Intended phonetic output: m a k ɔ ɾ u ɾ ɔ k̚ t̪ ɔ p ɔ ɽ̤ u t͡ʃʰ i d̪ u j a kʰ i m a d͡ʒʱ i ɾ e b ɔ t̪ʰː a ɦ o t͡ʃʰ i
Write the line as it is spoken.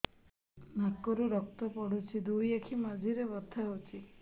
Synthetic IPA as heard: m a k ɔ ɾ u ɾ ɔ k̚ t̪ ɔ p ɔ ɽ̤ u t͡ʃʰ i d̪ u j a kʰ i m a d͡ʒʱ i ɾ e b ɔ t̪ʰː a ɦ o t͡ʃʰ i

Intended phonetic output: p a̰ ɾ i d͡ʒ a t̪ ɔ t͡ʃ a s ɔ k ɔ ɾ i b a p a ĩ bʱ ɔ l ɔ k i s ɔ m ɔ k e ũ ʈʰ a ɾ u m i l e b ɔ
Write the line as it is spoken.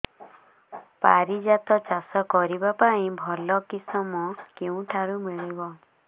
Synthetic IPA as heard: p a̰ ɾ i d͡ʒ a t̪ ɔ t͡ʃ a s ɔ k ɔ ɾ i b a p a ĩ bʱ ɔ l ɔ k i s ɔ m ɔ k e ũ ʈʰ a ɾ u m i ɭ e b ɔ

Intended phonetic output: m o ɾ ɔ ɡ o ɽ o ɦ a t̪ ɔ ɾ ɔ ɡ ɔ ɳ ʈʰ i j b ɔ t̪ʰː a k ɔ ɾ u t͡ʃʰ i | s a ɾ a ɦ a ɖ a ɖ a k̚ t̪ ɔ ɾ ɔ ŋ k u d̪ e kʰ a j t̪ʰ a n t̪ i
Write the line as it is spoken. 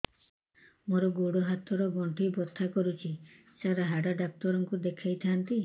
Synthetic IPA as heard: m o ɾ ɔ ɡ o ɽ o ɦ a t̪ ɔ ɾ ɔ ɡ ɔ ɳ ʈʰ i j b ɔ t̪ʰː a k ɔ ɾ u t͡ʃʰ i | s a ɾ a ɦ a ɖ a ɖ a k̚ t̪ ɔ ɾ ɔ ŋ k u d̪ e kʰ a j t̪ʰ a n t̪ i

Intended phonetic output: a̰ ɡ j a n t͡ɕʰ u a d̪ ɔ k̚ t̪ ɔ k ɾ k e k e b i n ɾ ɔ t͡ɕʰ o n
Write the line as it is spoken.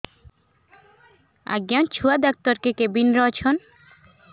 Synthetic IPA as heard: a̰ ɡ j a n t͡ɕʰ u a d̪ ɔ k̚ t̪ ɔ ɾ k e k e b i n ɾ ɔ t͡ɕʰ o n

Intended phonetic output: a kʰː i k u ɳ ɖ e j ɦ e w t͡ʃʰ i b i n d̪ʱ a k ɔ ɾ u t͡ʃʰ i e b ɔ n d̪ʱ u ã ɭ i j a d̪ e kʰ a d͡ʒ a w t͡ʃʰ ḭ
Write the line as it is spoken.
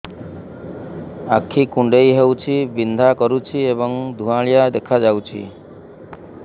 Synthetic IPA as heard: a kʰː i k u ɳ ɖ e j ɦ e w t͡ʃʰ i b i n d̪ʱ a k ɔ ɾ u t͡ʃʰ i e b ɔ ŋ d̪ʱ u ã ɭ i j a d̪ e kʰ a d͡ʒ a w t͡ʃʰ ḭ

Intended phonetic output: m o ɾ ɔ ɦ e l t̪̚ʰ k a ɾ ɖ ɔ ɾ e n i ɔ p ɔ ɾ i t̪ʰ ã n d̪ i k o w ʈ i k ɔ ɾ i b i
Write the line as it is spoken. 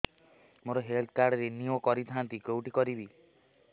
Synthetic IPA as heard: m o ɾ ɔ ɦ e l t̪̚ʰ k a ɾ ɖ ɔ ɾ e n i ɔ k ɔ ɾ i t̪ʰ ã n t̪ i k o w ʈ i k ɔ ɾ i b i

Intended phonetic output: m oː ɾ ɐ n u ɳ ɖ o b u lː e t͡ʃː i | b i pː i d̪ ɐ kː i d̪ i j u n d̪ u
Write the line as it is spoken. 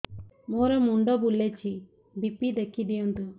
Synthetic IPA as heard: m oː ɾ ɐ m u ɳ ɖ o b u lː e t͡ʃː i | b i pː i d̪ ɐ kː i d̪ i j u n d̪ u

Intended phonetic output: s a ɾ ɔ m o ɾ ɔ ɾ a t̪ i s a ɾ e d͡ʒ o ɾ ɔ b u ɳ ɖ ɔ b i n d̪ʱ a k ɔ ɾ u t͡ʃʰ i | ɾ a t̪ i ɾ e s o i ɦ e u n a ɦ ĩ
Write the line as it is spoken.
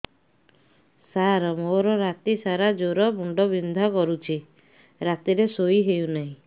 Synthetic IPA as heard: s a ɾ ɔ m o ɾ ɔ ɾ a t̪ i s a ɾ a d͡ʒ o ɾ ɔ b u ɳ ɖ ɔ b i n d̪ʱ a k ɔ ɾ u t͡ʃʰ i | ɾ a t̪ i ɾ e s o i ɦ e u n a ɦ ĩ

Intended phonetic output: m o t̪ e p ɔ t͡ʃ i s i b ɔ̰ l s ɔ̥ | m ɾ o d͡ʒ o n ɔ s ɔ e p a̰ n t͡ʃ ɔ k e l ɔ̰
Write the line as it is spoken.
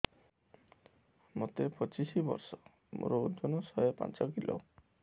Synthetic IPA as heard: m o t̪ e p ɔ t͡ʃ i s i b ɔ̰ ɾ s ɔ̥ | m ɾ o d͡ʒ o n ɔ s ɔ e p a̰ n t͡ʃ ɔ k i l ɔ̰

